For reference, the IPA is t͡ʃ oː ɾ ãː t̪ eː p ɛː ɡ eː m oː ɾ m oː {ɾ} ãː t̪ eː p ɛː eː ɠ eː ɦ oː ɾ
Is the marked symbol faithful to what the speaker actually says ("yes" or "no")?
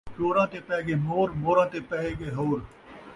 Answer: yes